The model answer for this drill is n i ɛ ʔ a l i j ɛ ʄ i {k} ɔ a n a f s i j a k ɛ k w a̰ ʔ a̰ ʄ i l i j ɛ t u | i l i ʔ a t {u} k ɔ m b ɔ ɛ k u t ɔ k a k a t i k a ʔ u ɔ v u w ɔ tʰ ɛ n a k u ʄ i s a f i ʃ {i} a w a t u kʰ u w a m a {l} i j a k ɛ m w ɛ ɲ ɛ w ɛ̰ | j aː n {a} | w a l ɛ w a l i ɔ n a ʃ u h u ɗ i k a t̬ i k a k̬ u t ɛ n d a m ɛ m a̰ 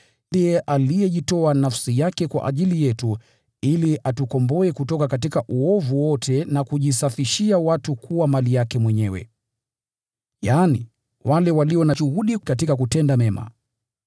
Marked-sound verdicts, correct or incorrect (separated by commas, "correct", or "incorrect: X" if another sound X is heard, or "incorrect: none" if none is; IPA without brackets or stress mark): incorrect: t, correct, correct, correct, incorrect: i